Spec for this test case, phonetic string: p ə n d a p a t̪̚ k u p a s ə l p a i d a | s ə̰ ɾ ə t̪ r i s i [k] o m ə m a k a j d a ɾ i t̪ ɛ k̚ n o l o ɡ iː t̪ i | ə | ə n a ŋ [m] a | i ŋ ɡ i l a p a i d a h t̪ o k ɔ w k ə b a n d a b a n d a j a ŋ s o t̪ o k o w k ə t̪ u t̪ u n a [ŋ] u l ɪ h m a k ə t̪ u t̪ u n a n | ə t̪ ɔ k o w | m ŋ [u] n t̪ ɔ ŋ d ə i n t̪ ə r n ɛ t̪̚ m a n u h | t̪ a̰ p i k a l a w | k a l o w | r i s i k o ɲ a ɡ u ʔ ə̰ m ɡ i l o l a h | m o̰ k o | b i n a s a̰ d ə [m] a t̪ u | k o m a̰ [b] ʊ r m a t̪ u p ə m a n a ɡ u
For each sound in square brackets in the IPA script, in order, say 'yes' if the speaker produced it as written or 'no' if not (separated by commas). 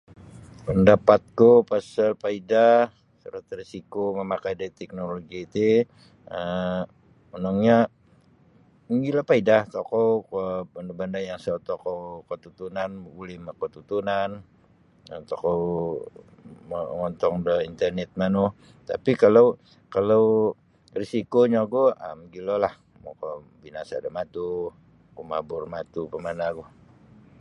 yes, no, no, no, yes, yes